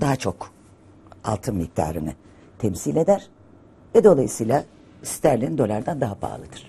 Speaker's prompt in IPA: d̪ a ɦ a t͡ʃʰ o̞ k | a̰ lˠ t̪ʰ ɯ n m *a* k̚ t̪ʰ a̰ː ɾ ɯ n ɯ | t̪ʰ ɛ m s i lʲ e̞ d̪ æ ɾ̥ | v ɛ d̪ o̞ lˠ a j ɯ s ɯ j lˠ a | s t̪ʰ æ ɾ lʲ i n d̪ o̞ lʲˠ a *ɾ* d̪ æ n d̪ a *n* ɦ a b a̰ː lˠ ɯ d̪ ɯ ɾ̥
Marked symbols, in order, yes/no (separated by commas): no, yes, no